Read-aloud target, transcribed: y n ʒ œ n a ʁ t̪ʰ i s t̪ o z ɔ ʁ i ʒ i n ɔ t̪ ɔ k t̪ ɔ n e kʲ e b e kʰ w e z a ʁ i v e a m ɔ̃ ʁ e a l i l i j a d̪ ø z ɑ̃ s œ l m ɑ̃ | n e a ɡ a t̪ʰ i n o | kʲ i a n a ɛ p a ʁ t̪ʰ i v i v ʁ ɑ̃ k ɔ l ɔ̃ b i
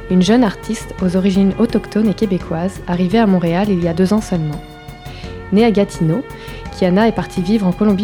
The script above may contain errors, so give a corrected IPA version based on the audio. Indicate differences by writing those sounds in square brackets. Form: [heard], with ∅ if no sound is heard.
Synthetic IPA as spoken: y n ʒ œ n a ʁ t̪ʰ i s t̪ o z ɔ ʁ i ʒ i n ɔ t̪ ɔ k t̪ ɔ n e kʲ e b e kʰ w [a] z a ʁ i v e a m ɔ̃ ʁ e a l i l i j a d̪ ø z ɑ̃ s œ l m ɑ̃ | n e a ɡ a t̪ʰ i n o | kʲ i a n a ɛ p a ʁ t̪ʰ i v i v ʁ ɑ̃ k ɔ l ɔ̃ b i